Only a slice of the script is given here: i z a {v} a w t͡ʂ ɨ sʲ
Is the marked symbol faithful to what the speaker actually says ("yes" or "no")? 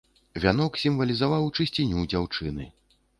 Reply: yes